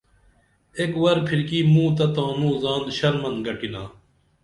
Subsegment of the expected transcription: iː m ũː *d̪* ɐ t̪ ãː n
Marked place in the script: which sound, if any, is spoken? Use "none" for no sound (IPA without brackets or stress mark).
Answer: t̪